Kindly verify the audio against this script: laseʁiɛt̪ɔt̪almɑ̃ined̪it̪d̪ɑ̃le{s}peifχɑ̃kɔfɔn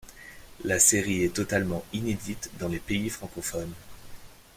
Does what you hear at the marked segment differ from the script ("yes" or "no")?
yes